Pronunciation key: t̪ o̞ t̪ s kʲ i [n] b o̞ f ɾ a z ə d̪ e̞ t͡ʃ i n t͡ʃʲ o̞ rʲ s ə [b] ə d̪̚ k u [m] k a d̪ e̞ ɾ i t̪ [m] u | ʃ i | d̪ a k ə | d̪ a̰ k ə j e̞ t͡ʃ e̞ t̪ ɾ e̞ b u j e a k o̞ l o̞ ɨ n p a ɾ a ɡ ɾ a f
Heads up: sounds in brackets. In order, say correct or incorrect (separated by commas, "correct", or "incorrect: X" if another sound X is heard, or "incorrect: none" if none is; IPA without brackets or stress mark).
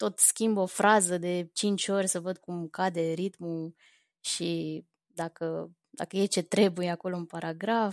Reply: incorrect: m, incorrect: v, correct, correct